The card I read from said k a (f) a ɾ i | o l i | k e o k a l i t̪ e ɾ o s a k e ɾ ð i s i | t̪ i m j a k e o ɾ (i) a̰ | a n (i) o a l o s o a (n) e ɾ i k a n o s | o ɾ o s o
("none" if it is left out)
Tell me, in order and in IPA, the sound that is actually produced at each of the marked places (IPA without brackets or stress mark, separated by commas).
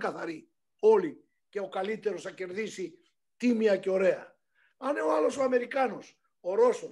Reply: θ, e, e, m